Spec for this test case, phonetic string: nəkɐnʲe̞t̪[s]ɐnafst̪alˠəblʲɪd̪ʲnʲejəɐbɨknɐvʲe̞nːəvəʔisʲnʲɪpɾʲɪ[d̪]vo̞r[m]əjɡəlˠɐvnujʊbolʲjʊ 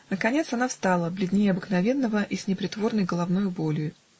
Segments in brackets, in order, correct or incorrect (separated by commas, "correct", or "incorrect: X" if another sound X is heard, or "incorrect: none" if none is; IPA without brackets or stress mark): correct, incorrect: t̪, incorrect: n